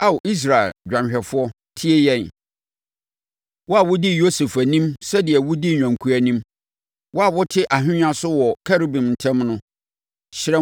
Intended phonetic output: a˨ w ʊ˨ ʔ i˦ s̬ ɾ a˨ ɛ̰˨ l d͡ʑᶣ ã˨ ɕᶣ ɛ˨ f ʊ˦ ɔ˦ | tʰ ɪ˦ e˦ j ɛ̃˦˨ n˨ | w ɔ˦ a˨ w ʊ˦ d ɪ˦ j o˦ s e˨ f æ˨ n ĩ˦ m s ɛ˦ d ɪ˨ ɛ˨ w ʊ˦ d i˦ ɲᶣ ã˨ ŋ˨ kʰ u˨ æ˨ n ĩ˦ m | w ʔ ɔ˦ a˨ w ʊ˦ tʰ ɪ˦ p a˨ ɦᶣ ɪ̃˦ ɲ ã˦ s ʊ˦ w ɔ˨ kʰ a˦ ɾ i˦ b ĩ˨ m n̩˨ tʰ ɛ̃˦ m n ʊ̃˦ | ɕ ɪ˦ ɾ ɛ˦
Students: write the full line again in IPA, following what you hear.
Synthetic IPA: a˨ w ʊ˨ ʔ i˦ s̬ ɾ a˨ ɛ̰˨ l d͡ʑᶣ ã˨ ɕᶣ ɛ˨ f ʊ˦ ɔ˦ | tʰ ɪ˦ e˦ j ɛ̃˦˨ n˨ | w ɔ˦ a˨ w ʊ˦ d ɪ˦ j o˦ s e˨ f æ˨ n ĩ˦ m s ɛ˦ d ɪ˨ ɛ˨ w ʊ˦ d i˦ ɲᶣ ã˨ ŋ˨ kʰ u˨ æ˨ n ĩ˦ m | w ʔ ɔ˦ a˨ w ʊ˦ tʰ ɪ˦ ʔ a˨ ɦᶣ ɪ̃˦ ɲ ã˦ s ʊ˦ w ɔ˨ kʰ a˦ ɾ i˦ b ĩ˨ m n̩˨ tʰ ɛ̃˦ m n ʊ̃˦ | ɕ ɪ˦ ɾ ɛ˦